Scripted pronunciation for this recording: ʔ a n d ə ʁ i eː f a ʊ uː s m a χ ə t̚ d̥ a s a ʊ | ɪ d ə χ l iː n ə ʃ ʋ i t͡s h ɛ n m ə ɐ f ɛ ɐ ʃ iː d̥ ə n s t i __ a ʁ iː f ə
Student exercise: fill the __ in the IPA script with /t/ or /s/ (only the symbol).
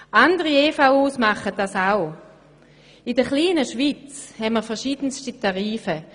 t